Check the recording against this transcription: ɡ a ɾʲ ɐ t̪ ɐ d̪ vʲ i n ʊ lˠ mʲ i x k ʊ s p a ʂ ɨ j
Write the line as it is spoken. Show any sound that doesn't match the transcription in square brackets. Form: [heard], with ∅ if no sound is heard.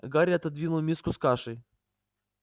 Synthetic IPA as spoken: ɡ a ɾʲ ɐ t̪ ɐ d̪ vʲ i n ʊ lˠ mʲ i [s] k ʊ s [k] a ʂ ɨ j